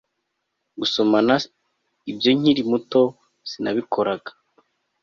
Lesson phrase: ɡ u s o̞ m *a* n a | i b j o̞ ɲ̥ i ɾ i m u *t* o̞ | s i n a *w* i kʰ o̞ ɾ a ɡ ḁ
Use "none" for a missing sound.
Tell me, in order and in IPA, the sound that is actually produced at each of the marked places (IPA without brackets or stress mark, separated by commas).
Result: a, t, β